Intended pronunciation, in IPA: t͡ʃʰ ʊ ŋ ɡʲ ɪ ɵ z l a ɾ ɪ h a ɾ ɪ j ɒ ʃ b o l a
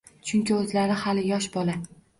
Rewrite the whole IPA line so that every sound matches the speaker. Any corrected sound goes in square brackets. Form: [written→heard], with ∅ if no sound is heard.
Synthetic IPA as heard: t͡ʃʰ ʊ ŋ [ɡʲ→kʲ] ɪ ɵ z l a ɾ ɪ h a [ɾ→l] ɪ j ɒ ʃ b [o→ɒ] l a